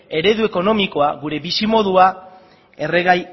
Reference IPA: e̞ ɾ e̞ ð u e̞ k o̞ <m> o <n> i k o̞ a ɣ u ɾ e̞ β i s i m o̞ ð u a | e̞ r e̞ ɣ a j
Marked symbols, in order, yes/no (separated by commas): no, no